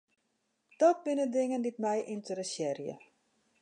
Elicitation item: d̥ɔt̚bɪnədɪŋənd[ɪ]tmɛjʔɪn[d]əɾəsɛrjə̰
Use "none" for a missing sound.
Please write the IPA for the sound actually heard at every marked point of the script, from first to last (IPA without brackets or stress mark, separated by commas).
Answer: i, t